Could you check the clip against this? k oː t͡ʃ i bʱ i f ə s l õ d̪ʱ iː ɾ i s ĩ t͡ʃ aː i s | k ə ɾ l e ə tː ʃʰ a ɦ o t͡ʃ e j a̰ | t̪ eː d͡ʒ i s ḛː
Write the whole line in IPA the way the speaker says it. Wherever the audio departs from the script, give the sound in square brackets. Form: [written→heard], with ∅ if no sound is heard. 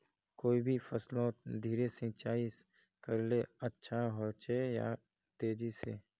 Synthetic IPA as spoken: k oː [t͡ʃ→∅] i bʱ i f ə s l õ d̪ʱ iː ɾ [i→e] s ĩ t͡ʃ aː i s | k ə ɾ l e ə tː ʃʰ a ɦ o t͡ʃ e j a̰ | t̪ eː d͡ʒ i s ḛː